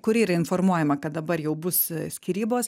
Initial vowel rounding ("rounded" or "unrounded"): rounded